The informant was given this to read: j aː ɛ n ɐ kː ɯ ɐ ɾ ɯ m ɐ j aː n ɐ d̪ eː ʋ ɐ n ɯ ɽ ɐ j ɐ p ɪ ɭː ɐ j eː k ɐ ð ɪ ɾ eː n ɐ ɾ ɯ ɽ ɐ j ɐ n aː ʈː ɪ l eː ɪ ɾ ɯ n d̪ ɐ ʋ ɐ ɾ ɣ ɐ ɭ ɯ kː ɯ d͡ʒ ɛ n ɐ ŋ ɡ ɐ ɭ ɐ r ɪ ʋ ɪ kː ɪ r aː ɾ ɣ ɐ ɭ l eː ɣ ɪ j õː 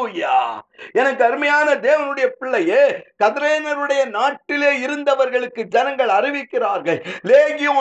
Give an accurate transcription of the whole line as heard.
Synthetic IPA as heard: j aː ɛ n ɐ kː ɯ ɐ ɾ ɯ m ɐ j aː n ɐ d̪ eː ʋ ɐ n ɯ ɽ ɐ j ɐ p ɪ ɭː ɐ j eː k ɐ ð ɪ ɾ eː n ɐ ɾ ɯ ɽ ɐ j ɐ n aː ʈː ɪ l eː ɪ ɾ ɯ n d̪ ɐ ʋ ɐ ɾ ɣ ɐ ɭ ɯ kː ɯ d͡ʒ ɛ n ɐ ŋ ɡ ɐ ɭ ɐ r ɪ ʋ ɪ kː ɪ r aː ɾ ɣ ɐ ɭ l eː ɣ ɪ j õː